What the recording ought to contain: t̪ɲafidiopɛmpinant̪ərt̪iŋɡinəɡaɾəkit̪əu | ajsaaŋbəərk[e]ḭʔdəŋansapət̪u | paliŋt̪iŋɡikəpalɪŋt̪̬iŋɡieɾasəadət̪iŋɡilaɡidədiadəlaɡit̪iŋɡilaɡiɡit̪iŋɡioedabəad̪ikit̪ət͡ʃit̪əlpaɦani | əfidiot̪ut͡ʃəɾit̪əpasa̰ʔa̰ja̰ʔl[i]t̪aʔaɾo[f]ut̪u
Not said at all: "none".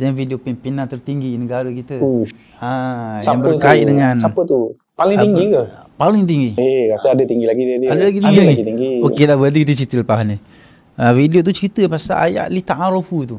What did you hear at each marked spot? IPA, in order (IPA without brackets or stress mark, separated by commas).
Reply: a, i, f